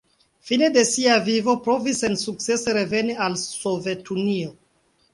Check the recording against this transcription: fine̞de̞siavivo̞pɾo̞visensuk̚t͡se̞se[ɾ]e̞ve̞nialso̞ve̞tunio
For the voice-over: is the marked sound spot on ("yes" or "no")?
yes